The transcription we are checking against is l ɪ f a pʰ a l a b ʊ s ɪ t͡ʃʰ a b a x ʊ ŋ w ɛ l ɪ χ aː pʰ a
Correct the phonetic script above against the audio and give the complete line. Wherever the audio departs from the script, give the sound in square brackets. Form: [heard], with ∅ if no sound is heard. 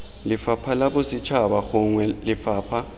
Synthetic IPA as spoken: l ɪ f a pʰ a l a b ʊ s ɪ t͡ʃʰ a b a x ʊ ŋ w ɛ l ɪ [f] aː pʰ a